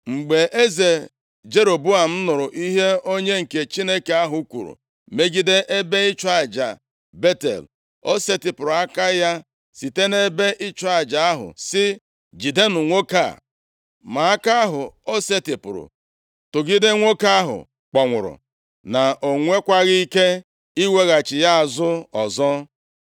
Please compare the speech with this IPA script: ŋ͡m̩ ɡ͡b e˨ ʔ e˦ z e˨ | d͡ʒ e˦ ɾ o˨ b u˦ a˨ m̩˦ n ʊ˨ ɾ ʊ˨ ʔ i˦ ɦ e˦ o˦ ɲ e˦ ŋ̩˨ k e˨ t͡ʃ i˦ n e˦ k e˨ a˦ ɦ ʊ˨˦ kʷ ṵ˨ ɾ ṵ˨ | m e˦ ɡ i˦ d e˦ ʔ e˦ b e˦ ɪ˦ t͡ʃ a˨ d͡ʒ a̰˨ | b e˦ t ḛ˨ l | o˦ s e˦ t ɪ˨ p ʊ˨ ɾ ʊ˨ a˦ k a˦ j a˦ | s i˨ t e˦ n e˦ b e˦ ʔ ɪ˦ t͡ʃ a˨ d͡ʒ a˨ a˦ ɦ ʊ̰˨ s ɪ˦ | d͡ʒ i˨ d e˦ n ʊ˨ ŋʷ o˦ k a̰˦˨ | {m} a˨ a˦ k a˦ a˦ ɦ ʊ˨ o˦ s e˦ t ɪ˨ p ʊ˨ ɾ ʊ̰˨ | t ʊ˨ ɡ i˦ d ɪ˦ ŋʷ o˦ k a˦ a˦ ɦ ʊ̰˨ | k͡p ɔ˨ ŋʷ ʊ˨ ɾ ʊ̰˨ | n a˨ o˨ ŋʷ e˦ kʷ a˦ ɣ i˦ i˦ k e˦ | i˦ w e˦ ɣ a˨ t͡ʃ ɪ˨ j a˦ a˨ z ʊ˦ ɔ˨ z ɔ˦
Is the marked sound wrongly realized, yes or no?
no